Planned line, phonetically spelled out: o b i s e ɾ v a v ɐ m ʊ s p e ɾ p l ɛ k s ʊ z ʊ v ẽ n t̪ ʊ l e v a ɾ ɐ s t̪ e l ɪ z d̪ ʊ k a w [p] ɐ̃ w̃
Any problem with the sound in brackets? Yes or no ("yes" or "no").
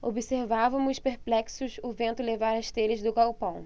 no